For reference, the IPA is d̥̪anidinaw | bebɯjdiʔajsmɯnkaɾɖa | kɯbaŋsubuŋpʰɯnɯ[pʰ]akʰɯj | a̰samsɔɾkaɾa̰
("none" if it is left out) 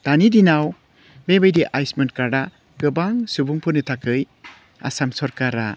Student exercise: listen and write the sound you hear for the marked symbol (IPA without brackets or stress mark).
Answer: tʰ